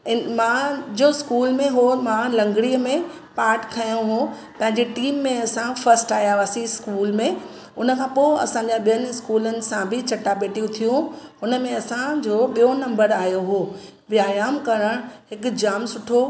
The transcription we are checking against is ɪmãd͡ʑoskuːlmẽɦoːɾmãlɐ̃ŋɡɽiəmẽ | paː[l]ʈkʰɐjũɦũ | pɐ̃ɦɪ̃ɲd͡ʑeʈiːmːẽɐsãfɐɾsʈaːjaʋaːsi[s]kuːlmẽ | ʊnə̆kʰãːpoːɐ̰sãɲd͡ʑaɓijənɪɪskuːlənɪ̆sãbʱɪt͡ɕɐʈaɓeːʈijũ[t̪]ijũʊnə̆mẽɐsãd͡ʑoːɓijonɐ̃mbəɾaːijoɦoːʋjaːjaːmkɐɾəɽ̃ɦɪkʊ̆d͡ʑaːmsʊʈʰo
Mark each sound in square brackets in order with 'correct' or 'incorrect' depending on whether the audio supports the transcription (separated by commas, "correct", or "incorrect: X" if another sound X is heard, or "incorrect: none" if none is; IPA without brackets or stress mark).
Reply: incorrect: ɾ, correct, incorrect: t̪ʰ